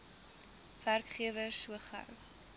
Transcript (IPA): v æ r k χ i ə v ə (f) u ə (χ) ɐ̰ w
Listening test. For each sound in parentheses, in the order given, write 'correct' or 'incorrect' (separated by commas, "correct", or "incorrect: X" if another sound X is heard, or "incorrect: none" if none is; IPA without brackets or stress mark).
incorrect: s, correct